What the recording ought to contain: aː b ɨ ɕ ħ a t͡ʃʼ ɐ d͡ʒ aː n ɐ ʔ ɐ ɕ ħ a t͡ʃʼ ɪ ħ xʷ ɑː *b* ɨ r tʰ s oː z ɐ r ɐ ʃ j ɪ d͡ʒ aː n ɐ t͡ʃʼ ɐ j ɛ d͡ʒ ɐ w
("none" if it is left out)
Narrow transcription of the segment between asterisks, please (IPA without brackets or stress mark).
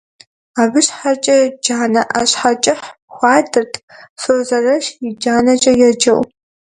d